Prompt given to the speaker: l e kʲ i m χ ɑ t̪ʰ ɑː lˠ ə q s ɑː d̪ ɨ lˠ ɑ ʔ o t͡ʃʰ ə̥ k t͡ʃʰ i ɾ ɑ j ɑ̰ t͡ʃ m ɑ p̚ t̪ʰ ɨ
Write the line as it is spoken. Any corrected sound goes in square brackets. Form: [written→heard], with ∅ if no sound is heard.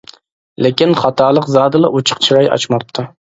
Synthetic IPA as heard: l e kʲ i [m→n] χ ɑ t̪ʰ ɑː lˠ ə q [s→z] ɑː d̪ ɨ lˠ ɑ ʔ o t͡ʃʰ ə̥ [k→q] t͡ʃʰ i ɾ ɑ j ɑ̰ t͡ʃ m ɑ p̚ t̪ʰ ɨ

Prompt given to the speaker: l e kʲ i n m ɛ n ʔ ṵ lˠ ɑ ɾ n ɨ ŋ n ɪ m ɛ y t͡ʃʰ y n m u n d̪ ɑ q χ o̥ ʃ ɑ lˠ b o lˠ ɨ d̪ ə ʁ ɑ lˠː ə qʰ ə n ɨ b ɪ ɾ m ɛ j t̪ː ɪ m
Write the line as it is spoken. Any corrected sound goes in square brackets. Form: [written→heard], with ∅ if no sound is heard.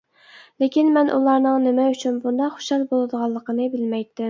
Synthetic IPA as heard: l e kʲ i n m ɛ n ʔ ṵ lˠ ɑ ɾ n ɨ ŋ n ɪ m ɛ y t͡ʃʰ y n [m→b] u n d̪ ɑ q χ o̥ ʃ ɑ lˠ b o lˠ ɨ d̪ ə ʁ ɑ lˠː ə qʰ ə n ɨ b ɪ [ɾ→l] m ɛ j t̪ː ɪ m

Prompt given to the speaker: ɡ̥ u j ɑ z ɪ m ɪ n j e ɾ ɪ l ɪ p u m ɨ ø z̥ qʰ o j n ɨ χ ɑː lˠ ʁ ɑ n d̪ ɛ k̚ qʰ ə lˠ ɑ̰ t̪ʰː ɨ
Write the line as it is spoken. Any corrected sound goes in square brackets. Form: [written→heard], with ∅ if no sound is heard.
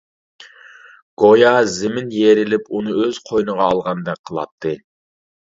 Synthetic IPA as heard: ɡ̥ [u→o] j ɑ z ɪ m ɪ n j e ɾ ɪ l ɪ p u [m→n] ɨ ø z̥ qʰ o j n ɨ [χ→ʁ] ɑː lˠ ʁ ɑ n d̪ ɛ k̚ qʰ ə lˠ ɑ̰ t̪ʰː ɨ

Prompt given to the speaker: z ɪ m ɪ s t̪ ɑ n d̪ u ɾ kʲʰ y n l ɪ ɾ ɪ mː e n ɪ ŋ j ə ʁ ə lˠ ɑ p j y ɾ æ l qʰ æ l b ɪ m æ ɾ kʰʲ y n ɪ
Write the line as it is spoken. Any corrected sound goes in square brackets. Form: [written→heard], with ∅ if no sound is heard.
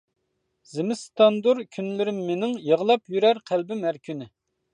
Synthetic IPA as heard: z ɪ m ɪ s t̪ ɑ n d̪ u ɾ kʲʰ y n l ɪ ɾ ɪ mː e n ɪ ŋ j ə ʁ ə lˠ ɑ p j y ɾ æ [l→ɾ] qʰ æ l b ɪ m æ ɾ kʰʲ y n ɪ

